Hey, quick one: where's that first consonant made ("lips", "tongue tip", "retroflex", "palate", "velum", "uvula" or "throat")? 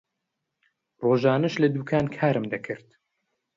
tongue tip